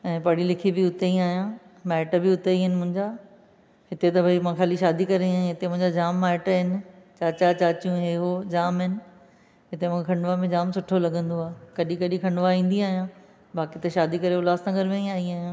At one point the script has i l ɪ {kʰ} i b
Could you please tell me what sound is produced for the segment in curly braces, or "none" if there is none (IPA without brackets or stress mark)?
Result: kʰ